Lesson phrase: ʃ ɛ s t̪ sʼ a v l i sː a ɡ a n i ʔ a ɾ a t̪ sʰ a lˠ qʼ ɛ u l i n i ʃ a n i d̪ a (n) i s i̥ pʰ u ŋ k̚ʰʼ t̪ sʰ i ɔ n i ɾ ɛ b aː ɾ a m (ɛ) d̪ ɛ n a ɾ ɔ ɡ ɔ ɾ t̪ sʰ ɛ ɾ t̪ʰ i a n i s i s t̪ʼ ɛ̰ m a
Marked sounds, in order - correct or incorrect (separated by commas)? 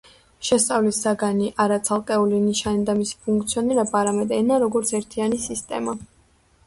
incorrect, correct